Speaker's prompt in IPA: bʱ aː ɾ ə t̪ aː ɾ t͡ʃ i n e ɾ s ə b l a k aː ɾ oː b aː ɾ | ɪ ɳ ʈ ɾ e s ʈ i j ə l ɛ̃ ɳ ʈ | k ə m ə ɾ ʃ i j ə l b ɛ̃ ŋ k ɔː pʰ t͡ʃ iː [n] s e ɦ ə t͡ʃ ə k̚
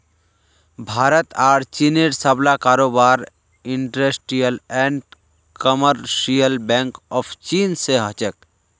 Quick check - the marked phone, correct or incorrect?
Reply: correct